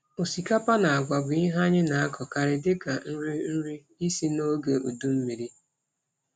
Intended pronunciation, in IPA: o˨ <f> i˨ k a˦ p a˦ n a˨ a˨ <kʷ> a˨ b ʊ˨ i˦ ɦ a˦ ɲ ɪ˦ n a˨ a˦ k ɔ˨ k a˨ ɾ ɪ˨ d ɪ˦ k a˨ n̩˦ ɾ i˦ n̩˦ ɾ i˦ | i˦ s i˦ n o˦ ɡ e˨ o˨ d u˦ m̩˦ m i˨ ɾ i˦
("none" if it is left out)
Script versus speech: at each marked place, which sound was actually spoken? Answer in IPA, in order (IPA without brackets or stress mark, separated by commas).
s, ɡʷ